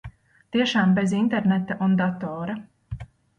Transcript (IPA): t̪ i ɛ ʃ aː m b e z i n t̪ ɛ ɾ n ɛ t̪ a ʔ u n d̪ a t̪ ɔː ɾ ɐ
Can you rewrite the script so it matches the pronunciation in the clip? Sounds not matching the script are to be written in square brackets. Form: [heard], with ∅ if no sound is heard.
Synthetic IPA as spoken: t̪ i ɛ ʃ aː m b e z i n t̪ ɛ ɾ n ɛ t̪ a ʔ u n d̪ a t̪ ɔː ɾ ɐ